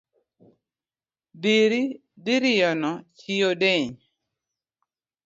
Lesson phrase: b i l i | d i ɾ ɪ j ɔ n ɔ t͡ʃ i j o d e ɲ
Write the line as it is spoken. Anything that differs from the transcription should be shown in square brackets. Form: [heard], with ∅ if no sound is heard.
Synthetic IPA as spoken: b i [ɾ] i | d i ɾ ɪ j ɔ n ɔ t͡ʃ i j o d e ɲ

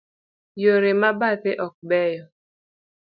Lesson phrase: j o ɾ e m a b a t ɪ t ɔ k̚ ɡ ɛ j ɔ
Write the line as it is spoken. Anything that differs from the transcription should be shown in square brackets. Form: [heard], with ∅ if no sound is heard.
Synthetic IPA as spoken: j o ɾ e m a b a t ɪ [ʔ] ɔ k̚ [b] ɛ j ɔ

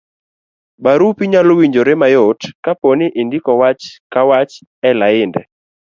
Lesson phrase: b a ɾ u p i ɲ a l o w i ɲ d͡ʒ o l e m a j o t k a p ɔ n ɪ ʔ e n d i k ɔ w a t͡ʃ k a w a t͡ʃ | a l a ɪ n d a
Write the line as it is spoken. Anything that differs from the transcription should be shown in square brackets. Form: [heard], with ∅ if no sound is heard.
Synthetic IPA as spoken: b a ɾ u p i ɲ a l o w i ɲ d͡ʒ o [ɾ] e m a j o t k a p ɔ n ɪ ʔ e n d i k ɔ w a t͡ʃ k a w a t͡ʃ | [ɛ] l a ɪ n d [ɛ]

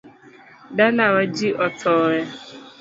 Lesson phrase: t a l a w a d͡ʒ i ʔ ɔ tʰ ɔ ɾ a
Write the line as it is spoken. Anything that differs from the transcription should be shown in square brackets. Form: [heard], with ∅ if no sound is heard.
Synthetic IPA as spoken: [d] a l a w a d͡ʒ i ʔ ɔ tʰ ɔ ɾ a

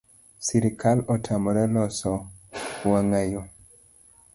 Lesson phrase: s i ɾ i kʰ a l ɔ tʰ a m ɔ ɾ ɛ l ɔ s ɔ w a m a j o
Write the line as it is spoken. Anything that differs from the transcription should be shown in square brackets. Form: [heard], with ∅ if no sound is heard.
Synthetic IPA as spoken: s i ɾ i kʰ a l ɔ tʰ a m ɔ ɾ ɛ l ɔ s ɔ w a [ŋ] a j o

